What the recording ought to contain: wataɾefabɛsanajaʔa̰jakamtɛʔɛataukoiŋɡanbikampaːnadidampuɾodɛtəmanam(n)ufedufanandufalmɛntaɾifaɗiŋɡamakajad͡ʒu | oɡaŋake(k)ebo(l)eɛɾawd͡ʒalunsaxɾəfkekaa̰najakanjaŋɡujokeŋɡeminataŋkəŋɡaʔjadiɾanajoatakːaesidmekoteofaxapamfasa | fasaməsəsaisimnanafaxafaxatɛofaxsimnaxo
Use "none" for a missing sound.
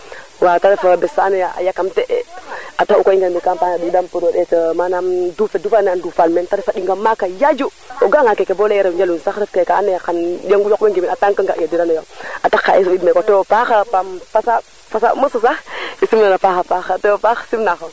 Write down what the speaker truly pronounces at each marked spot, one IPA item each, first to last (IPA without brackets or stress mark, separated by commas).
d, k, l